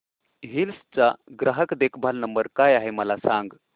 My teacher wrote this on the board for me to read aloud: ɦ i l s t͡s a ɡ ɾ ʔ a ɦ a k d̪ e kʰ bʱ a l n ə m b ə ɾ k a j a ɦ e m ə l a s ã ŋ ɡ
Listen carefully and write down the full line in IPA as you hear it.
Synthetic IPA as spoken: ɦ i l s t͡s a ɡ ɾ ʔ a ɦ ə k d̪ e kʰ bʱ a l n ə m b ə ɾ k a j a ɦ e m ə l a s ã ŋ ɡ